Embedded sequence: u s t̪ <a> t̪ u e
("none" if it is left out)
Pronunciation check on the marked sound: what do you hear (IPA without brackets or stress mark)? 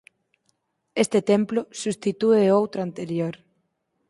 i